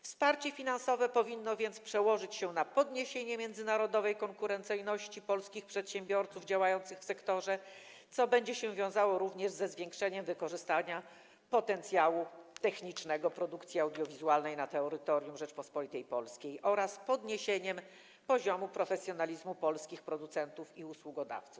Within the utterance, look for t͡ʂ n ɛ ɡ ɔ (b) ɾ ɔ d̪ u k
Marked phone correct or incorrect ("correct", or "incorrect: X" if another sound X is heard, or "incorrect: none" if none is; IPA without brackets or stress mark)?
incorrect: p